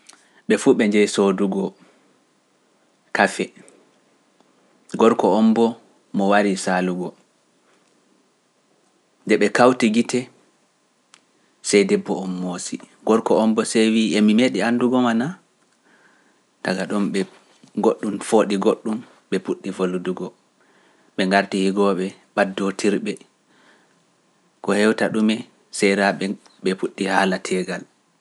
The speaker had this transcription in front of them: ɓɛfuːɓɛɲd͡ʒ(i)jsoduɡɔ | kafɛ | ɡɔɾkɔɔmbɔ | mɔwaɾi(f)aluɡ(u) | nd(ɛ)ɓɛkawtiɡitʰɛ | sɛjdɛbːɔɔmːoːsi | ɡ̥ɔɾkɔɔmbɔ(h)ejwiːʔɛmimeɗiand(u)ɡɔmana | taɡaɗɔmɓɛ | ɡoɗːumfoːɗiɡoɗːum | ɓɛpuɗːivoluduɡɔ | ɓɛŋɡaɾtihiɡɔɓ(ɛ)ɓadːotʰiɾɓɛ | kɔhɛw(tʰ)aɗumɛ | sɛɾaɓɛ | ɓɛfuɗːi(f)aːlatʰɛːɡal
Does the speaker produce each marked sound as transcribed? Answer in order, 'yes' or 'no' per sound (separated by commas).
no, no, no, yes, no, yes, yes, no, no